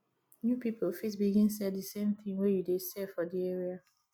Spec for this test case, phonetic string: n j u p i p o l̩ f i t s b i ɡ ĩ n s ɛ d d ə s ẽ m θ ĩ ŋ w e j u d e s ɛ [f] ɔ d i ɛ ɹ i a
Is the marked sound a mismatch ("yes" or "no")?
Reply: no